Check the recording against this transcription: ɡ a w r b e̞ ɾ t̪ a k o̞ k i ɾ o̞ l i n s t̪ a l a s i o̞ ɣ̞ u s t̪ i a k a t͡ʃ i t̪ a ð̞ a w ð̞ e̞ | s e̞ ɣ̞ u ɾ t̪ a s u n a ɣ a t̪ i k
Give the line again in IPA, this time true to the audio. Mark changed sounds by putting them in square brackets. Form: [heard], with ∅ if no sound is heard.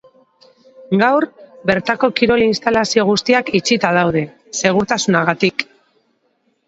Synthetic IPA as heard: ɡ a w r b e̞ ɾ t̪ a k o̞ k i ɾ o̞ l i n s t̪ a l a s i o̞ ɣ̞ u s t̪ i a k [i] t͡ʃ i t̪ a ð̞ a w ð̞ e̞ | s e̞ ɣ̞ u ɾ t̪ a s u n a ɣ a t̪ i k